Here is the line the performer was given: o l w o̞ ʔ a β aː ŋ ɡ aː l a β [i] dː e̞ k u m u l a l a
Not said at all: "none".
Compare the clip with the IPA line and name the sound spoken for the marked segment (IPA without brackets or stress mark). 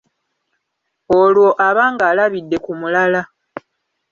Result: i